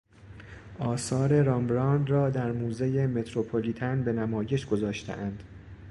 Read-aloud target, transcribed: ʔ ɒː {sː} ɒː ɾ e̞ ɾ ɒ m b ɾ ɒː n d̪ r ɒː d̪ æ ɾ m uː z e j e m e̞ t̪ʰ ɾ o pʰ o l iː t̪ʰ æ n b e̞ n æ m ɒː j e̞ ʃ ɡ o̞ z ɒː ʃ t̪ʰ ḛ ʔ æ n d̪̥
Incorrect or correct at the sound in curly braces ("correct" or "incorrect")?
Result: incorrect